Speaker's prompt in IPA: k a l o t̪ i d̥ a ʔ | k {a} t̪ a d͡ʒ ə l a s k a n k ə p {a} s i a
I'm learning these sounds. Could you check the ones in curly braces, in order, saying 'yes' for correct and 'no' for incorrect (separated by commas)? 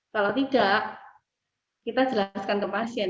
no, yes